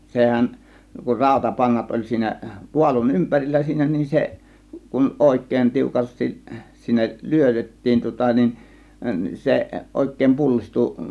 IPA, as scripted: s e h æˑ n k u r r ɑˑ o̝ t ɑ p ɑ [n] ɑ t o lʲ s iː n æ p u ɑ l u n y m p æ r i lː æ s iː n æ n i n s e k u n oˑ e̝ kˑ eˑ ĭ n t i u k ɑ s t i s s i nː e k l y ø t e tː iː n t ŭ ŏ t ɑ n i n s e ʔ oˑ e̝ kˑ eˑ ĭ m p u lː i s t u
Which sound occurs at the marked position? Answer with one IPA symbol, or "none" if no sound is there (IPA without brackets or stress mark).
nː